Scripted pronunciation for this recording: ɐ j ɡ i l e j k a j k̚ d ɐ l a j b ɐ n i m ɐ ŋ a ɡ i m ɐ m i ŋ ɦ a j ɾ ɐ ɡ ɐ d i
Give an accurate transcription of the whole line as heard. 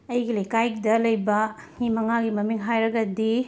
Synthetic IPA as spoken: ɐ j ɡ i l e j k a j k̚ d ɐ l ɐ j b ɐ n i m ɐ ŋ a ɡ i m ɐ m i ŋ ɦ a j ɾ ɐ ɡ ɐ d i